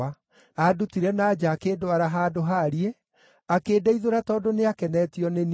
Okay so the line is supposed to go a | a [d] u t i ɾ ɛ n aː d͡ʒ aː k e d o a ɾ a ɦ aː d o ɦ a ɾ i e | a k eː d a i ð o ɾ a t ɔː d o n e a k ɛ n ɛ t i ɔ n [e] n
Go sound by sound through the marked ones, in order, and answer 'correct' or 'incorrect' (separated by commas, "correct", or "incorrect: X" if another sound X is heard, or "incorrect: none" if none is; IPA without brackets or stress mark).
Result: correct, correct